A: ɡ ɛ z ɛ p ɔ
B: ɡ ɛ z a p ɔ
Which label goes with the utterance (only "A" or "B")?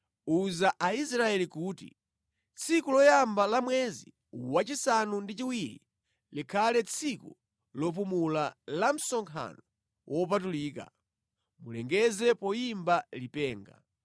A